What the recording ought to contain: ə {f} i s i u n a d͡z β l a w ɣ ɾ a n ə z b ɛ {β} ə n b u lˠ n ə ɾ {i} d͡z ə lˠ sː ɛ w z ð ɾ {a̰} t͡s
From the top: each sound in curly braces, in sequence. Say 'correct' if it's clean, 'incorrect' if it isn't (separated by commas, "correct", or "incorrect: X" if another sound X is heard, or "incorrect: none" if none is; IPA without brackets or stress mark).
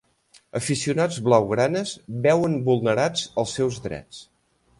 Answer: correct, incorrect: w, incorrect: a, incorrect: ɛ̰